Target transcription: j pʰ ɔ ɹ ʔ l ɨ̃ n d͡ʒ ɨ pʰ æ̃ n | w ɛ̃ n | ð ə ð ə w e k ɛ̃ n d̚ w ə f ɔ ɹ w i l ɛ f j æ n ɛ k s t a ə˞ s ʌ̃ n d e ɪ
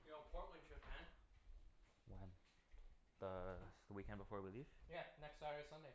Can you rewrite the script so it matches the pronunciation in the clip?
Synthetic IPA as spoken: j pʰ ɔ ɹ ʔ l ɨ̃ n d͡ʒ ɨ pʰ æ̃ n | w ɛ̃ n | ð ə ð ə w i k ɛ̃ n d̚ b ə f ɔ ɹ w i l i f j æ n ɛ k s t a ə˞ s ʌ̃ n d e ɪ